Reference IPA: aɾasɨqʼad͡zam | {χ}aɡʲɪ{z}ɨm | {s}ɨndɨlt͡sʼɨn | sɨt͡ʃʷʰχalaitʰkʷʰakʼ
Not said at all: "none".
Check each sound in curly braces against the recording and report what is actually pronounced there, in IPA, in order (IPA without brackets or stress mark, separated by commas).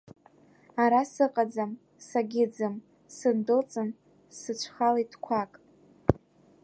s, d͡z, s